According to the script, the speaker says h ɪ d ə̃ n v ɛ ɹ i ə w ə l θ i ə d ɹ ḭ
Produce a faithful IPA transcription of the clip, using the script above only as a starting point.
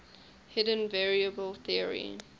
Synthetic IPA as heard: h ɪ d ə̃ n v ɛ ɹ i ə b ə l θ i ə ɹ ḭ